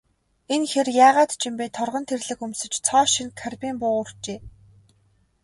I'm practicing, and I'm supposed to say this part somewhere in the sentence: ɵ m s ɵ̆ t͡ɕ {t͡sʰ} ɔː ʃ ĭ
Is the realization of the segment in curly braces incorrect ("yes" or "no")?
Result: no